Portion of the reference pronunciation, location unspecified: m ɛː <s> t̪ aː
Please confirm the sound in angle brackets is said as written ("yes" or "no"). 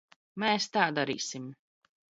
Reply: yes